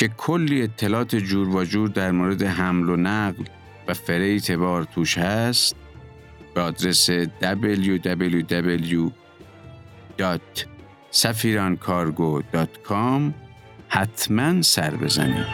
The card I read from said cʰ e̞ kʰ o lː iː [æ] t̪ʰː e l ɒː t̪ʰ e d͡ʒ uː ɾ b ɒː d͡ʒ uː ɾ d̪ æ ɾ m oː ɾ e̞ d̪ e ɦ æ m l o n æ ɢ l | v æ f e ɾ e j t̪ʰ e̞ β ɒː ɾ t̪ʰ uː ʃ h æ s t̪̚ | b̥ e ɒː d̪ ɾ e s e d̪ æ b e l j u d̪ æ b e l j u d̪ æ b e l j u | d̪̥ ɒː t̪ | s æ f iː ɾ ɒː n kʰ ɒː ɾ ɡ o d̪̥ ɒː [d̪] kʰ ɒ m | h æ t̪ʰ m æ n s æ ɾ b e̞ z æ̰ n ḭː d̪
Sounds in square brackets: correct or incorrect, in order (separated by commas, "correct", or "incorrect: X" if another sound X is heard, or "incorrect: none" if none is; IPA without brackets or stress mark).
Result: incorrect: e, incorrect: t̪